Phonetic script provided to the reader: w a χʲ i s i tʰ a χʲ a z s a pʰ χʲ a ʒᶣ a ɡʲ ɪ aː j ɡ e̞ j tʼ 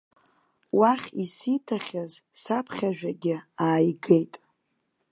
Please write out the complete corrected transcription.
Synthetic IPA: w a χʲ i s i tʰ a χʲ a z s a pʰ χʲ a ʒᶣ a ɡʲ ɪ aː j ɡ e̞ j tʼ